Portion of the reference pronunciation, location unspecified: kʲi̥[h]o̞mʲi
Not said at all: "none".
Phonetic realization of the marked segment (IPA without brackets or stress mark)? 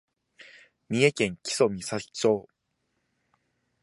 s